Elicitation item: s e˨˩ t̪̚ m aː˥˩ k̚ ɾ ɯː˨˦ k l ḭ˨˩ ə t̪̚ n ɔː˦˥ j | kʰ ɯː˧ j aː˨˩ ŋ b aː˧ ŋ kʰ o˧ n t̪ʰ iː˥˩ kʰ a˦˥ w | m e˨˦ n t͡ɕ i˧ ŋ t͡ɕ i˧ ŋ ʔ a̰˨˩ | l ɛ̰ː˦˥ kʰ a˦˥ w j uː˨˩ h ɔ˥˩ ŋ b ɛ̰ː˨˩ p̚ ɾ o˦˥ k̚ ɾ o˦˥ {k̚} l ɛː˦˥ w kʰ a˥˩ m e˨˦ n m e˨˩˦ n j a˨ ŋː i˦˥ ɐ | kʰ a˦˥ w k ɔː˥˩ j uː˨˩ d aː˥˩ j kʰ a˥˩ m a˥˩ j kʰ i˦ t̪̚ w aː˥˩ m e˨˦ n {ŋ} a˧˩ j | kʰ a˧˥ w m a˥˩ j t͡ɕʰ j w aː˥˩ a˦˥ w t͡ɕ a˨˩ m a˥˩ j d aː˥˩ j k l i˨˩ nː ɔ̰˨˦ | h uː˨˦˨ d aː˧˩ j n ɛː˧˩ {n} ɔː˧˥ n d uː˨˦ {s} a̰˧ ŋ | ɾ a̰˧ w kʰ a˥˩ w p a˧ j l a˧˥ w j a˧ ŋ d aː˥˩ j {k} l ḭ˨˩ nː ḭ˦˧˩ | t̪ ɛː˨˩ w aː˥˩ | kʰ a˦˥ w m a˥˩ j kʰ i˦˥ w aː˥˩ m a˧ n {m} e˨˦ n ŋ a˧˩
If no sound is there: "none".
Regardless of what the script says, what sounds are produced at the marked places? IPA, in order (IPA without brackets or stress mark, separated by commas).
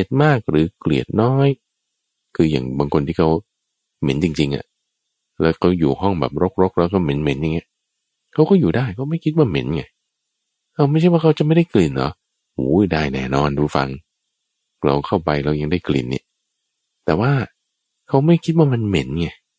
k̚, ŋ, n, f, k, m